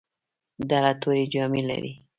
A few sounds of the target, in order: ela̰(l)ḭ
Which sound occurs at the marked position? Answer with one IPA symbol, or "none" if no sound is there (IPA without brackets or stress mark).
ɾ